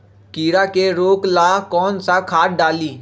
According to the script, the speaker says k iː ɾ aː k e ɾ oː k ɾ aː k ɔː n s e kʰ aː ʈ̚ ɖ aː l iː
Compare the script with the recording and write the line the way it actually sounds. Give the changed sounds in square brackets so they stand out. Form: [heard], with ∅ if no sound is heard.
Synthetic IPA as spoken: k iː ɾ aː k e ɾ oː k [l] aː k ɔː n s [a] kʰ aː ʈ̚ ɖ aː l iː